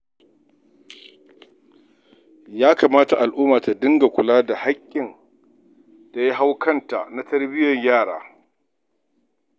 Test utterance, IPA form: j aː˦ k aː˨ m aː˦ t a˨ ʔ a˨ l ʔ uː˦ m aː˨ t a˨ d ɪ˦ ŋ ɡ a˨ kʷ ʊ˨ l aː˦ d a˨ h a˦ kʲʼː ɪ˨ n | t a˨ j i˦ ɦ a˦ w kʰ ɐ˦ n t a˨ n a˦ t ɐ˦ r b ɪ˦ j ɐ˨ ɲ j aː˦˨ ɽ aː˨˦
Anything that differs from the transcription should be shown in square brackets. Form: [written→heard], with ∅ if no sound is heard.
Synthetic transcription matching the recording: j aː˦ k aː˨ m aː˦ t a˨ ʔ a˨ l ʔ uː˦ m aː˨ t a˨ d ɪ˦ ŋ ɡ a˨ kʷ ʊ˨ l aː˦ d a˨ h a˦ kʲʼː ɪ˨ n | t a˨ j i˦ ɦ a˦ w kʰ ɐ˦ n t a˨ n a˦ t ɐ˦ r b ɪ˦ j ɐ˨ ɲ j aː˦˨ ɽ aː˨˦